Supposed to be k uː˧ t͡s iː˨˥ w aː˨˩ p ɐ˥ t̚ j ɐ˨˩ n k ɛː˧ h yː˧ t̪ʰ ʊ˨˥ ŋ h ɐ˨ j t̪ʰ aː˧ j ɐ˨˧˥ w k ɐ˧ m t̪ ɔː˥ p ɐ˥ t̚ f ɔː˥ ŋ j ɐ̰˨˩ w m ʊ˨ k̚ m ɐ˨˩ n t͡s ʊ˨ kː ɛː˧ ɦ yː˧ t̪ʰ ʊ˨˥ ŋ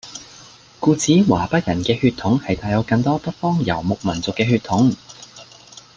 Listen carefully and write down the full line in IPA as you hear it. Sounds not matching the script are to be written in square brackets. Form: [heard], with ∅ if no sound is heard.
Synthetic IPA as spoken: k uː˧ t͡s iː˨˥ w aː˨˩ p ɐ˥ t̚ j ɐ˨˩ n k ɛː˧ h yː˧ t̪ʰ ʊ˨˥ ŋ h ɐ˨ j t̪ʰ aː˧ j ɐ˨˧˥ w k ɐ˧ [ŋ] t̪ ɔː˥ p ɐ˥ t̚ f ɔː˥ ŋ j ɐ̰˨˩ w m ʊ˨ k̚ m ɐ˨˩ n t͡s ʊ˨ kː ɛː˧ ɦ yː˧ t̪ʰ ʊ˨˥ ŋ